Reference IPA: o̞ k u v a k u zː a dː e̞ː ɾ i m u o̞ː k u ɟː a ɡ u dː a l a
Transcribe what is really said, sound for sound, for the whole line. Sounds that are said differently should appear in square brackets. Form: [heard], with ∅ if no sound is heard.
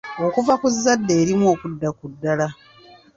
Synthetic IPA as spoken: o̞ k u v a k u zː a dː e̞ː ɾ i m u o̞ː k u [dː] a [k] u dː a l a